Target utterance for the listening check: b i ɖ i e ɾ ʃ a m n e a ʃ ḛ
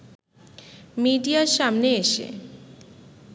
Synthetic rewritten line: m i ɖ i a ɾ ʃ a m n e e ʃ ḛ